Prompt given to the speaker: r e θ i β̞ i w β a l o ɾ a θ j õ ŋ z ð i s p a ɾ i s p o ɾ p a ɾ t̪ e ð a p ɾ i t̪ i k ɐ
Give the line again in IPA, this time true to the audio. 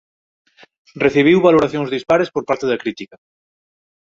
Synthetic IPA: r e θ i β̞ i w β a l o ɾ a θ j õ ŋ z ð i s p a ɾ e s p o ɾ p a ɾ t̪ e ð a k ɾ i t̪ i k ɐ